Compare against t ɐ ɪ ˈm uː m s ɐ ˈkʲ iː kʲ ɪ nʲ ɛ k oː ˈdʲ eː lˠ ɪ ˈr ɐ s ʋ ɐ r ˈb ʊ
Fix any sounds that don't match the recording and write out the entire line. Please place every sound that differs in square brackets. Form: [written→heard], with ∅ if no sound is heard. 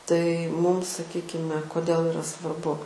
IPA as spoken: t ɐ ɪ ˈm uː m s ɐ ˈkʲ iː kʲ ɪ [nʲ→mʲ] ɛ k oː ˈdʲ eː lˠ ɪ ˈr ɐ s ʋ ɐ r ˈb ʊ